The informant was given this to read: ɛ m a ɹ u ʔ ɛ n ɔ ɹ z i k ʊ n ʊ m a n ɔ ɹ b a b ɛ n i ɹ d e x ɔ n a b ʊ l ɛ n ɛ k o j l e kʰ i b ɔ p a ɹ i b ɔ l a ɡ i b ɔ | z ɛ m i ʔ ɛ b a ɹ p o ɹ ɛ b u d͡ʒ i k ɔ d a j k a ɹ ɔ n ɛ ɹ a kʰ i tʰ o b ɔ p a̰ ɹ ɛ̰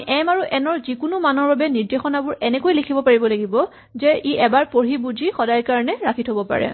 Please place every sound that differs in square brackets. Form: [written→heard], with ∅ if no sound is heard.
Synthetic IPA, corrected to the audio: ɛ m a ɹ u ʔ ɛ n ɔ ɹ z i k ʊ n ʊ m a n ɔ ɹ b a b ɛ n i ɹ d e x ɔ n a b ʊ [l→ɹ] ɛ n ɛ k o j l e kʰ i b ɔ p a ɹ i b ɔ l a ɡ i b ɔ | z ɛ [m→∅] i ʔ ɛ b a ɹ p o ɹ [ɛ→i] b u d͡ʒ i [k→x] ɔ d a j k a ɹ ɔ n ɛ ɹ a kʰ i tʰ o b ɔ p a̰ ɹ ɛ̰

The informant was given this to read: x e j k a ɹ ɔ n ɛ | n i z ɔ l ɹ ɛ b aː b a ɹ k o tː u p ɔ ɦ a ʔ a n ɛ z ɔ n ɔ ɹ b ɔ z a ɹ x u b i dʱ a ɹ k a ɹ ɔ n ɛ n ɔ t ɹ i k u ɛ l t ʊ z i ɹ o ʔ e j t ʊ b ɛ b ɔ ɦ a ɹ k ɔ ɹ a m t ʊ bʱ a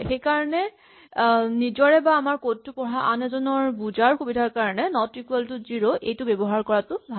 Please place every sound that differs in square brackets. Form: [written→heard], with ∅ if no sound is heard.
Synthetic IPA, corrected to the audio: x e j k a ɹ ɔ n ɛ | n i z ɔ [l→∅] ɹ ɛ b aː [b→m] a ɹ k o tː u p ɔ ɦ a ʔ a n ɛ z ɔ n ɔ ɹ b [ɔ→u] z a ɹ x u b i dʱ a ɹ k a ɹ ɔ n ɛ n ɔ t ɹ i k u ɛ l t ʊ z i ɹ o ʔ e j t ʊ b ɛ b ɔ ɦ a ɹ k ɔ ɹ a [m→∅] t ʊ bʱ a

